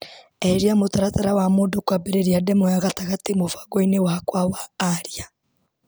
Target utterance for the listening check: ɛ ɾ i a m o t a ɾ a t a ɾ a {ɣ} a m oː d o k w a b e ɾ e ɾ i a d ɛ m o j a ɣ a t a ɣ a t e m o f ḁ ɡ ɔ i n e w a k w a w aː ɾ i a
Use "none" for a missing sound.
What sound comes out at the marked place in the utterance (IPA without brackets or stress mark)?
w